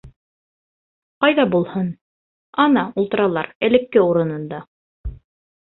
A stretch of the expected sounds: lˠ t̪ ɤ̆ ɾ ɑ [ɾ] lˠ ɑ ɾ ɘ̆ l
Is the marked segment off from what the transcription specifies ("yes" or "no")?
yes